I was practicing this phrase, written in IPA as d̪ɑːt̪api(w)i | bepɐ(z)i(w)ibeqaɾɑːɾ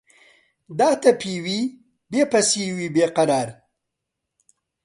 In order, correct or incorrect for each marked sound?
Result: correct, incorrect: s, correct

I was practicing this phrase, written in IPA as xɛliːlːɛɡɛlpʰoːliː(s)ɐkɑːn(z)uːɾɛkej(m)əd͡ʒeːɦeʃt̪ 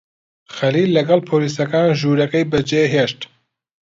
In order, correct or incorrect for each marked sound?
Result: correct, incorrect: ʒ, incorrect: b

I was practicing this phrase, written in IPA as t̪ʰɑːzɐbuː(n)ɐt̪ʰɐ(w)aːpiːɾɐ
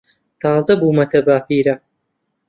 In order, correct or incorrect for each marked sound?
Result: incorrect: m, incorrect: b

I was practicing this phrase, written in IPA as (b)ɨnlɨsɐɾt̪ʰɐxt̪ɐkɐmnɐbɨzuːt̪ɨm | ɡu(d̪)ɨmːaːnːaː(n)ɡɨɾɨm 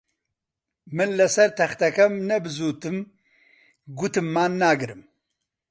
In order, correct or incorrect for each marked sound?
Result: incorrect: m, incorrect: t̪, incorrect: none

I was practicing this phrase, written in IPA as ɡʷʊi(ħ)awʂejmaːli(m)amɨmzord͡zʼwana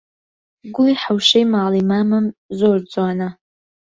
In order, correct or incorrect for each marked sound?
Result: correct, correct

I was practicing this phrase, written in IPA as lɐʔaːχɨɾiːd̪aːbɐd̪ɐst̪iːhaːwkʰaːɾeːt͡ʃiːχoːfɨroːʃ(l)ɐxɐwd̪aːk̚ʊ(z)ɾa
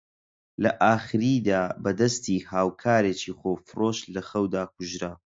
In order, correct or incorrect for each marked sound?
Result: correct, incorrect: ʒ

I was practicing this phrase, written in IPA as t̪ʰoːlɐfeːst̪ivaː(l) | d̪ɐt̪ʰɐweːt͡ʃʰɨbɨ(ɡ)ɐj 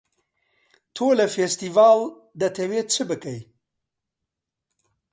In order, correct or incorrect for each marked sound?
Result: correct, incorrect: k

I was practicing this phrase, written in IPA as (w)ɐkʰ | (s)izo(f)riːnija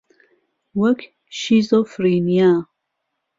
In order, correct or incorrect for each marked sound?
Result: correct, incorrect: ʃ, correct

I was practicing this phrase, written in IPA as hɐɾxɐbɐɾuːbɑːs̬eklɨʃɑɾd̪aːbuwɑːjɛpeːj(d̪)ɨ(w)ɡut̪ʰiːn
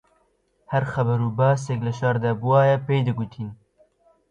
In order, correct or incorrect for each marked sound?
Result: correct, incorrect: none

